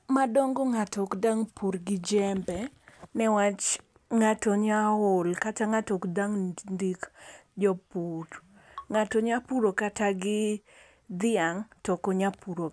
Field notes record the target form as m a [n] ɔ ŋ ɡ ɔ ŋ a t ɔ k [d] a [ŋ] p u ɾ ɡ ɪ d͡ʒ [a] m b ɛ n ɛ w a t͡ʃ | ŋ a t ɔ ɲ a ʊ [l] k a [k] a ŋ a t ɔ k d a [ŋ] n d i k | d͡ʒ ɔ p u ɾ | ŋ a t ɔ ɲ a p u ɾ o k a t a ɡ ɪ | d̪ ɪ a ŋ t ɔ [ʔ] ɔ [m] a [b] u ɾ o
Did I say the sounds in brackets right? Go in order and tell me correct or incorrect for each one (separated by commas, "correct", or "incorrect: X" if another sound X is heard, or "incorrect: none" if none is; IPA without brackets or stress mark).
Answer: incorrect: d, correct, correct, incorrect: ɛ, correct, incorrect: t, correct, incorrect: k, incorrect: ɲ, incorrect: p